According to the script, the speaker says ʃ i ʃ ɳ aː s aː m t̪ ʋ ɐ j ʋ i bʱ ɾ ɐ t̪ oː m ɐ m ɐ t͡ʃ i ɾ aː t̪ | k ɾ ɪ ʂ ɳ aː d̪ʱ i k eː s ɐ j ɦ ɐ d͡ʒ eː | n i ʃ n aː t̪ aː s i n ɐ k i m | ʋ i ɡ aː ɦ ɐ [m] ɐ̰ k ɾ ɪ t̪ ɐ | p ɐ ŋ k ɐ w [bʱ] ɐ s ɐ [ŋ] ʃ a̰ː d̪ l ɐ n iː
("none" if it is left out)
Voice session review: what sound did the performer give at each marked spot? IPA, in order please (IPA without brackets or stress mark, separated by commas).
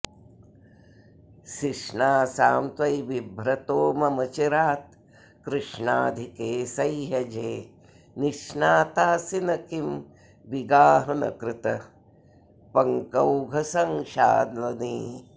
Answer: n, ɡʱ, ŋ